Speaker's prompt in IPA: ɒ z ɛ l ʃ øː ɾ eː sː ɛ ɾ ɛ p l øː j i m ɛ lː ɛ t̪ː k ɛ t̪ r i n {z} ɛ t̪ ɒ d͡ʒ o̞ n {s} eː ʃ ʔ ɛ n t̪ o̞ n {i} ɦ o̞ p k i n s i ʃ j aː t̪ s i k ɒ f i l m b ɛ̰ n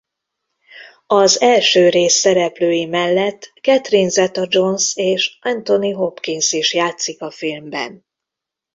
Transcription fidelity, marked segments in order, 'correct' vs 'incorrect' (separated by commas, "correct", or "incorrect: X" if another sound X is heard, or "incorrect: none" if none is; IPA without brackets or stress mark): correct, correct, correct